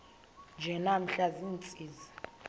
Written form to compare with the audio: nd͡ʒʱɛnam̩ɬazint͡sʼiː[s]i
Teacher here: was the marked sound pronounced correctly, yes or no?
no